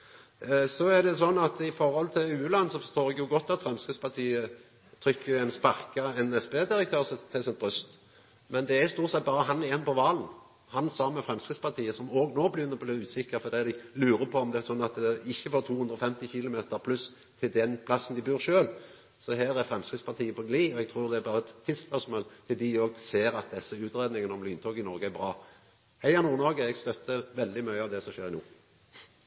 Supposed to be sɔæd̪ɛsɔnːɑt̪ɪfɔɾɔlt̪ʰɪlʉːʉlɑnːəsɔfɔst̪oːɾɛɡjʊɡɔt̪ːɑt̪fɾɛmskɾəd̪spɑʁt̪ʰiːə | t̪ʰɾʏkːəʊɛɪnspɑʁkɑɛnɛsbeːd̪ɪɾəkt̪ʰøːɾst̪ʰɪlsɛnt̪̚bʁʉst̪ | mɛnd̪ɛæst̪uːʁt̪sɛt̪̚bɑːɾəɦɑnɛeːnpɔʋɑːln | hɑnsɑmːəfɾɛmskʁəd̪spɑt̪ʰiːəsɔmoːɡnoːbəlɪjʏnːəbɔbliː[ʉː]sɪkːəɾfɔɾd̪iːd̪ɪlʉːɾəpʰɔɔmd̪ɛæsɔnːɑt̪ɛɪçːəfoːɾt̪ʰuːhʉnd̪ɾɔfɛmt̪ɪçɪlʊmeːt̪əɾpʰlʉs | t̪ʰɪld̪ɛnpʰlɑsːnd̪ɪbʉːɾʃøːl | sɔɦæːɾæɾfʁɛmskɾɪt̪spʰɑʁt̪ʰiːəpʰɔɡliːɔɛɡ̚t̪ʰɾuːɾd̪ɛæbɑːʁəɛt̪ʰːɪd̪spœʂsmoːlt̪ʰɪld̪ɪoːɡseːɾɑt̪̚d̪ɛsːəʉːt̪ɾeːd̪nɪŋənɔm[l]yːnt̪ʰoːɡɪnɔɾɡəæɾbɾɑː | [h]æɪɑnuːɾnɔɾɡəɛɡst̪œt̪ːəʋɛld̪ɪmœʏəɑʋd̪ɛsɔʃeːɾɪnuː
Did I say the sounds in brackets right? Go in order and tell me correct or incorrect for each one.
correct, correct, correct

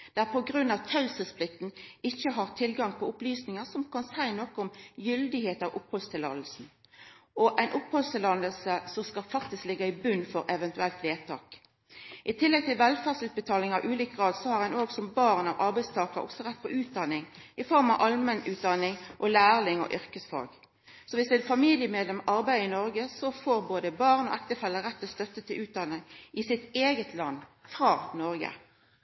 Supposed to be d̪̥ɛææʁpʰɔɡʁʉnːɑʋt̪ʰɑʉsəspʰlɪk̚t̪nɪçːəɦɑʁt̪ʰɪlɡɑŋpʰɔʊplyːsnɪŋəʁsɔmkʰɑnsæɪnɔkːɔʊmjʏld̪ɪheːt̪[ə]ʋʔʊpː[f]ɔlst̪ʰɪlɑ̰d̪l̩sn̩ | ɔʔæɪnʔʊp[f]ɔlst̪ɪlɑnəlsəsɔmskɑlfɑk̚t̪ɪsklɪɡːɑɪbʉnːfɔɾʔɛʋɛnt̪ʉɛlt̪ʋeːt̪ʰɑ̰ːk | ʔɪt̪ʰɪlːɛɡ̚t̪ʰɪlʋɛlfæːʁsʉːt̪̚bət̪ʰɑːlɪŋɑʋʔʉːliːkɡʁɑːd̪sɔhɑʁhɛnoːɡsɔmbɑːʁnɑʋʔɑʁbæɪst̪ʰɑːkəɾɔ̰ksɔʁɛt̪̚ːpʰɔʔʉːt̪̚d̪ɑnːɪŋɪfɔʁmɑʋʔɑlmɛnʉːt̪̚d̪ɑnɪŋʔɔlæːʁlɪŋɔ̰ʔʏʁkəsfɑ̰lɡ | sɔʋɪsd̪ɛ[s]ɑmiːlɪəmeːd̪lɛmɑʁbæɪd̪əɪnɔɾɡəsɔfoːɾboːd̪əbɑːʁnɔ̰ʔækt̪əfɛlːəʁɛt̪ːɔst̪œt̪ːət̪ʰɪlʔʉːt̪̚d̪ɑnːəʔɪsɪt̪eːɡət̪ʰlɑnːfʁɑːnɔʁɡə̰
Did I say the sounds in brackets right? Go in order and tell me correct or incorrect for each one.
incorrect: ɑ, incorrect: h, incorrect: h, incorrect: f

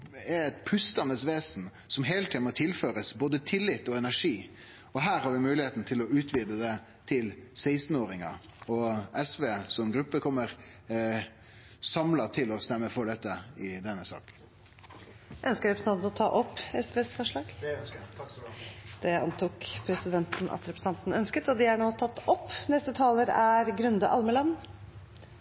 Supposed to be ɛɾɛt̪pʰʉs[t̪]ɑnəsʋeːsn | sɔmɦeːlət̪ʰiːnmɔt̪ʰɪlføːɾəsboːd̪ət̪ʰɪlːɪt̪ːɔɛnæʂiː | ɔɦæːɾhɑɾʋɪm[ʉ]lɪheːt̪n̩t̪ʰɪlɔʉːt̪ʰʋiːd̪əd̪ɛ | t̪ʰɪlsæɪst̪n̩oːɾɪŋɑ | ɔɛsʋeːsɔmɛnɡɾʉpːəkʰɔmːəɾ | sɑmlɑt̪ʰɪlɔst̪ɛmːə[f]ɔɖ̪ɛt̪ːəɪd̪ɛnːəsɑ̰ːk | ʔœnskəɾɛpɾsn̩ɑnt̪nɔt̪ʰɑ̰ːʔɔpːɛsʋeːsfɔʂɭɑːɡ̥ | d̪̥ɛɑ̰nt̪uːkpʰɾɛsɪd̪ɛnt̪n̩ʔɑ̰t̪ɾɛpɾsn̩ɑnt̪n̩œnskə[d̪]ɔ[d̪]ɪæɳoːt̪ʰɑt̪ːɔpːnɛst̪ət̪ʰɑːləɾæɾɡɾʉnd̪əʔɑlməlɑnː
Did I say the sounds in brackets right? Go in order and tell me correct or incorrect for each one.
correct, incorrect: ʉː, correct, incorrect: t̪, correct

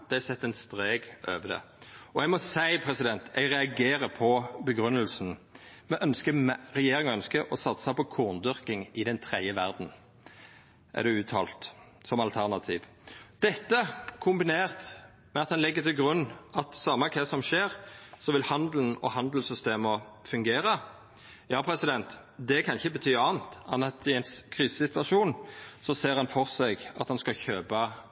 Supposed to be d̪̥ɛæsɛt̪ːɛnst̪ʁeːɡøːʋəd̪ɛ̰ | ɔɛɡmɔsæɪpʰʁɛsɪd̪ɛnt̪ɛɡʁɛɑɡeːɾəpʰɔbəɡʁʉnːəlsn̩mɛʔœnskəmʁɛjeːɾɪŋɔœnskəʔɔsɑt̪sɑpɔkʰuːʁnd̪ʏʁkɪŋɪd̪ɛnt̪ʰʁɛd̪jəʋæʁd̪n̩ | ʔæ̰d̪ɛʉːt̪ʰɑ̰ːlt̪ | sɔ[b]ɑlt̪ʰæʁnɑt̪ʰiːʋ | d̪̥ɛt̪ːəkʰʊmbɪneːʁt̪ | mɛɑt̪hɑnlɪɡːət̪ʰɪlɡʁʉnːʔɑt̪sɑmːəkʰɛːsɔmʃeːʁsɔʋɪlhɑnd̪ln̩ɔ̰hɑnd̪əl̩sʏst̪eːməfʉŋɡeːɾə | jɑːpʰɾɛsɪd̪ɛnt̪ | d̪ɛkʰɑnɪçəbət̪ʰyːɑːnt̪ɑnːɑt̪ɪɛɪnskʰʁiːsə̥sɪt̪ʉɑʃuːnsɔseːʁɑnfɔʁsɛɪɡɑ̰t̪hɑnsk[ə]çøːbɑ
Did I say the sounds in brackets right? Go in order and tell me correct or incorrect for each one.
incorrect: m, incorrect: ɑ

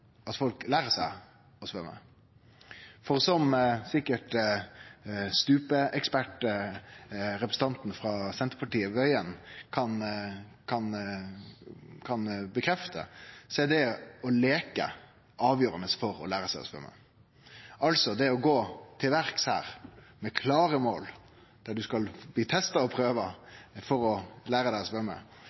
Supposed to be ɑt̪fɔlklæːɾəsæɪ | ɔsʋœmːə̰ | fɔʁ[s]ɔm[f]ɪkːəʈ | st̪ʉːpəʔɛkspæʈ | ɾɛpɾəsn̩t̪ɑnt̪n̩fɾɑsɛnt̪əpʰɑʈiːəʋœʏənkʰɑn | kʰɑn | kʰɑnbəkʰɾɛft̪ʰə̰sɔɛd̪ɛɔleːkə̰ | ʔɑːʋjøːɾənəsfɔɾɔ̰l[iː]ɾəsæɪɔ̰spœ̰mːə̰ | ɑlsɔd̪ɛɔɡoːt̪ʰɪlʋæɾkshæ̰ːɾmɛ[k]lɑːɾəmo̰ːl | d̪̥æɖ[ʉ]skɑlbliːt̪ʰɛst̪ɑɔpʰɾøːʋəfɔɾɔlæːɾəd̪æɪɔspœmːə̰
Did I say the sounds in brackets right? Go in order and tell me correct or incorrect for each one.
correct, incorrect: s, incorrect: æː, incorrect: kʰ, correct

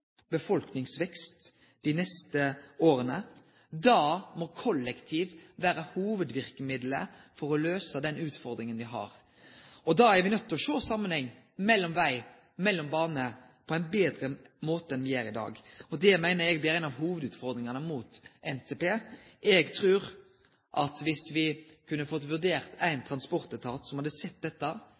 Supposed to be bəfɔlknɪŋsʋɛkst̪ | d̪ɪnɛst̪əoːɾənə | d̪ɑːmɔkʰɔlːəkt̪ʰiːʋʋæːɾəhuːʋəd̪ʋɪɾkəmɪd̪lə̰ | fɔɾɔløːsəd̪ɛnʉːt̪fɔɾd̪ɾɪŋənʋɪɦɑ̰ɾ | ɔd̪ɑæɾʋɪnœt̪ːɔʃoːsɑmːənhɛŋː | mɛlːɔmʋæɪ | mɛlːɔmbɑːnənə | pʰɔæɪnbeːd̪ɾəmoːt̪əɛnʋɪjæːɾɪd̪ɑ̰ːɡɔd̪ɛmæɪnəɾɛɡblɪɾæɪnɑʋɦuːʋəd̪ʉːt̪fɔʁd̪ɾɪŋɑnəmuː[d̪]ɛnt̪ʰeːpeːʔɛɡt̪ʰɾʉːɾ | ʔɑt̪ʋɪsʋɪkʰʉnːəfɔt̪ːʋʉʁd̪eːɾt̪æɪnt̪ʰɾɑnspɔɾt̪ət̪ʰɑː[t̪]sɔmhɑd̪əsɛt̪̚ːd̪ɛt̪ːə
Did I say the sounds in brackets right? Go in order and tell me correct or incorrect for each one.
incorrect: t̪, correct

